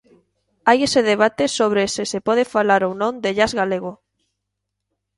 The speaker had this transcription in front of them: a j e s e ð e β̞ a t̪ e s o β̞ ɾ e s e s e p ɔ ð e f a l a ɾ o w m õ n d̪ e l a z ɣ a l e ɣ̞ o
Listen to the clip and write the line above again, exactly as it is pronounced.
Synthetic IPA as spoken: a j e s e ð e β̞ a t̪ e s o β̞ ɾ e s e s e p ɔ ð e f a l a ɾ o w n õ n d̪ e ʎ a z ɣ a l e ɣ̞ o